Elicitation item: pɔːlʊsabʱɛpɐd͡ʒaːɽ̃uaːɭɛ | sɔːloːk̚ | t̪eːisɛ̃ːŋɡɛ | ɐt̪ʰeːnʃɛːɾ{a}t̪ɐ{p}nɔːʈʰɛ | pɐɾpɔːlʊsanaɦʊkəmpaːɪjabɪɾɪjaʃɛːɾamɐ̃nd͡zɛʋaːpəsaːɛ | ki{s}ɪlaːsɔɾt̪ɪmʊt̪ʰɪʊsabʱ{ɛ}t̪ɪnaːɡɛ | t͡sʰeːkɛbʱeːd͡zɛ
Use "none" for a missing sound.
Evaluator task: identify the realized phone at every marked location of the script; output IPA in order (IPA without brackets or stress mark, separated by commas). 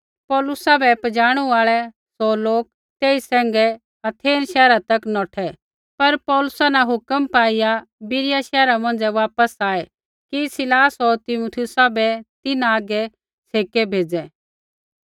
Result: a, k, s, ɛ